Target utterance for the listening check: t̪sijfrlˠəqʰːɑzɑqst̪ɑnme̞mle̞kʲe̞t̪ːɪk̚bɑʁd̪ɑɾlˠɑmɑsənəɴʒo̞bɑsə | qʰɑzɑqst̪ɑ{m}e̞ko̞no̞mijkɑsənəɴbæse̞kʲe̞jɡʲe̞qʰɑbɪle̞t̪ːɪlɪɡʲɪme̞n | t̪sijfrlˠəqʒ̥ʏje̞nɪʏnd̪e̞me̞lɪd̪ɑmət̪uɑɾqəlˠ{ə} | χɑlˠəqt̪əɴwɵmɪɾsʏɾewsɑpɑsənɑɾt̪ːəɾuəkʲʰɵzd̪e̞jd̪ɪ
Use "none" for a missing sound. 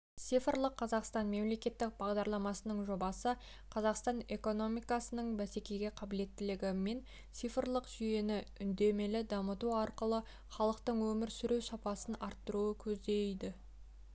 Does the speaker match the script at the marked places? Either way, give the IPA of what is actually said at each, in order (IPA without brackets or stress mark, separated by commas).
n, ə